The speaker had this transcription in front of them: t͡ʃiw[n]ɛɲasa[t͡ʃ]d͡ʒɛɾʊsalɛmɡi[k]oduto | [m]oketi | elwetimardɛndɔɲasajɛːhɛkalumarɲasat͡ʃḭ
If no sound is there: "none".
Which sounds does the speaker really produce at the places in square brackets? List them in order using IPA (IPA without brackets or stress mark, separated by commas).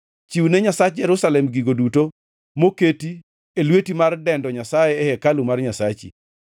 n, t͡ʃ, ɡ, m